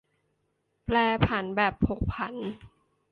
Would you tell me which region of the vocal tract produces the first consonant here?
lips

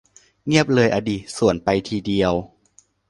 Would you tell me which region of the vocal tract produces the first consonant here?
velum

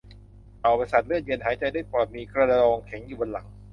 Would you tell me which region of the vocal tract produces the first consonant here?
throat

